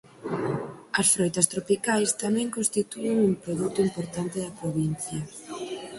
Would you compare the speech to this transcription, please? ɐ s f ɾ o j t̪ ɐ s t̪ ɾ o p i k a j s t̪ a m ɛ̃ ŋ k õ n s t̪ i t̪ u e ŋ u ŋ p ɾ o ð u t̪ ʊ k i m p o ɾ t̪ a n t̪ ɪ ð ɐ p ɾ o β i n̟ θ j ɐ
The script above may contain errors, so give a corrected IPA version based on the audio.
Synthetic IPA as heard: ɐ s f ɾ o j t̪ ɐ s t̪ ɾ o p i k a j s t̪ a m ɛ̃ ŋ k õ n s t̪ i t̪ u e ŋ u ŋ p ɾ o ð u t̪ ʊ i m p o ɾ t̪ a n t̪ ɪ ð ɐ p ɾ o β i n̟ θ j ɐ